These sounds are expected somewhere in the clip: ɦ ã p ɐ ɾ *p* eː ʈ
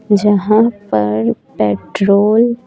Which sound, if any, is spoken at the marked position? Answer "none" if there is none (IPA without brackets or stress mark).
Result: p